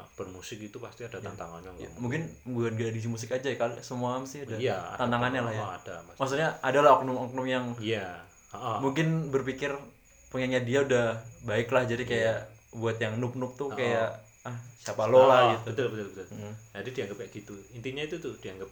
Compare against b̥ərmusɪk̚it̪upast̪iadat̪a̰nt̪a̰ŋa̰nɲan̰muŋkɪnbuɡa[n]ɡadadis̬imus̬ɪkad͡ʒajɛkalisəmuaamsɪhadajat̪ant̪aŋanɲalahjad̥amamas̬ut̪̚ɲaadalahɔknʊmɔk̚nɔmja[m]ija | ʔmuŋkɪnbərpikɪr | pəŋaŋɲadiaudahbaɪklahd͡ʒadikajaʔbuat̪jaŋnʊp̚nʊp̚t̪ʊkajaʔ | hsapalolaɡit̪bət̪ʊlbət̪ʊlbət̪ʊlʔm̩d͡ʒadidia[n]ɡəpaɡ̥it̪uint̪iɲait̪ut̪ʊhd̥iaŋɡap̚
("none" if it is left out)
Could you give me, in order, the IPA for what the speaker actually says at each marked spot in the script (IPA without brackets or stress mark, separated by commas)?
n, ŋ, ŋ